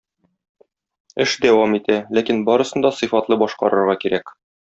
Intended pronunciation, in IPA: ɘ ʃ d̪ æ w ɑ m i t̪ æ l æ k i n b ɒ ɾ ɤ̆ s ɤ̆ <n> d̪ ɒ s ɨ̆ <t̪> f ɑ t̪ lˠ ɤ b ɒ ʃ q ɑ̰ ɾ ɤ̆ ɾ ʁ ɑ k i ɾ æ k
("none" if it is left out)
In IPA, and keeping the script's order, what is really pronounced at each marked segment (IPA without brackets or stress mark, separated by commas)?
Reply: n, none